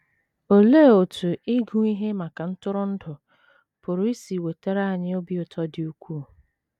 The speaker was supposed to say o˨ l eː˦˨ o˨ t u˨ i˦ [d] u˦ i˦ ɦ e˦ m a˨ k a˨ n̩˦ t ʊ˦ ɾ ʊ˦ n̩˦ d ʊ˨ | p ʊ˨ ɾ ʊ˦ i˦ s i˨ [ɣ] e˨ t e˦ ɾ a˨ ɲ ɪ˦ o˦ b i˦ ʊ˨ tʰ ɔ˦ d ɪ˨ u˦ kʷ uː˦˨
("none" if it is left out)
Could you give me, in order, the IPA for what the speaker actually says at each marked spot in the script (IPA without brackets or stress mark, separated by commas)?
ɡ, w